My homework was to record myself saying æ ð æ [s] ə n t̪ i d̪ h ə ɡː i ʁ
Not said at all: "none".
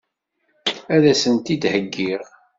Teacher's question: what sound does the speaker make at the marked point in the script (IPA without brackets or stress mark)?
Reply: s